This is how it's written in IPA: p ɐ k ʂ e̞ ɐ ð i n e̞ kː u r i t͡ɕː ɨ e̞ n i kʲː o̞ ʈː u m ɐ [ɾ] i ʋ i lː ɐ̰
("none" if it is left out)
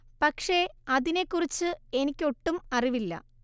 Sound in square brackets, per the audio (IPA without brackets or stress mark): r